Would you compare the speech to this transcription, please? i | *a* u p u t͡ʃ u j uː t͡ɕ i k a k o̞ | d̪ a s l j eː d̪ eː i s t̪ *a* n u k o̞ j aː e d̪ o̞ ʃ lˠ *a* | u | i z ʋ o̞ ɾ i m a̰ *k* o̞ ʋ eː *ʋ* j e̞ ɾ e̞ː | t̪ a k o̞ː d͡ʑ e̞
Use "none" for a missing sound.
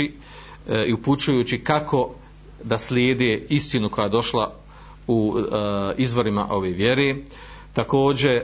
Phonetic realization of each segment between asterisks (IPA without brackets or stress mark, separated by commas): i, i, a, ʔ, ʋ